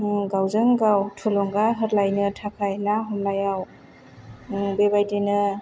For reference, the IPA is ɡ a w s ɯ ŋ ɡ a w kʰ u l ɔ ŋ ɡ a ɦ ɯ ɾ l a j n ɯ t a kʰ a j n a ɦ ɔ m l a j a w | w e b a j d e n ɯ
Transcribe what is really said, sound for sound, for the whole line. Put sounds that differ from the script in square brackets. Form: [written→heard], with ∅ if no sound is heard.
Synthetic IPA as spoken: ɡ a w [s→z] ɯ ŋ ɡ a w [kʰ→tʰ] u l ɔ ŋ ɡ a ɦ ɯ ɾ l a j n ɯ [t→tʰ] a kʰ a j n a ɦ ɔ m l a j a w | [w→b] e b a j d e n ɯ